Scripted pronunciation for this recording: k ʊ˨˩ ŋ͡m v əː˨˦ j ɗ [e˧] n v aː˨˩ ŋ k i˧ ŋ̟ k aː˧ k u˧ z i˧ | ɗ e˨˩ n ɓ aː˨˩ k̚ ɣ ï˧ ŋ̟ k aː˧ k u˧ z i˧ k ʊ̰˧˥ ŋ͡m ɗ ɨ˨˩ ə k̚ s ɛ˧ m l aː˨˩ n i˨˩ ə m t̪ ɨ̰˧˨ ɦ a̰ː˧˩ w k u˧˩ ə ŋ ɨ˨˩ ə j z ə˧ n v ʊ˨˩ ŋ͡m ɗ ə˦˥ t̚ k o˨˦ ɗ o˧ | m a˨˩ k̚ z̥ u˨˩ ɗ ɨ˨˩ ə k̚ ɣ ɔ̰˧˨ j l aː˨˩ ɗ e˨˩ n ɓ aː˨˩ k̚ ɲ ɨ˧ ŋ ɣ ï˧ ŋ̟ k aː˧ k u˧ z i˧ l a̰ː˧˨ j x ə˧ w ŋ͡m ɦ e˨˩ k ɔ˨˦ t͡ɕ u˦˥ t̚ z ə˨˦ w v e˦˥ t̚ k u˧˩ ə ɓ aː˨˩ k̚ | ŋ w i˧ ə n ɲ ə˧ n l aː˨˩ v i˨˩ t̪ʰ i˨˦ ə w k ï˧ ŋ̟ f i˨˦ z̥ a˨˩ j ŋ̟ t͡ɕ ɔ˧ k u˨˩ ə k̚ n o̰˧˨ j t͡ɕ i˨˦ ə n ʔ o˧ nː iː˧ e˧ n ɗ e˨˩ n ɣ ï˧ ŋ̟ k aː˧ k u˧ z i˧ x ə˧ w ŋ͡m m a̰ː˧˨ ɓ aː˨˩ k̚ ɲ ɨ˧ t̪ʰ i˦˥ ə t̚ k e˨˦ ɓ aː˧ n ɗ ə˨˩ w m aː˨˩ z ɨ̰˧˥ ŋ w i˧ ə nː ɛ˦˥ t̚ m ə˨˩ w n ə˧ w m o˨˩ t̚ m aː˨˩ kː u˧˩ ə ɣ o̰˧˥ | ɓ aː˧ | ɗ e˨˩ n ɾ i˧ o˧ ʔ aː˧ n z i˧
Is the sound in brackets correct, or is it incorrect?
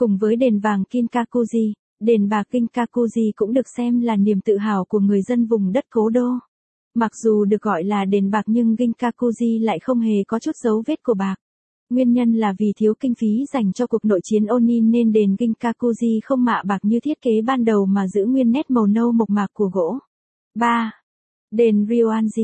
incorrect